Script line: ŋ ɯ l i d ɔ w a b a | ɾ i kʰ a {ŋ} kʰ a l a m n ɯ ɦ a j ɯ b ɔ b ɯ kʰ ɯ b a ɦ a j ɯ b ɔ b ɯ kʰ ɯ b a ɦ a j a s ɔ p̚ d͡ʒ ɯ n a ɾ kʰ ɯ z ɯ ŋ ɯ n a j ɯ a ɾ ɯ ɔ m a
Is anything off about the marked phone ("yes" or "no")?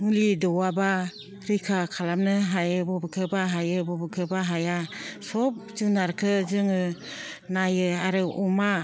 yes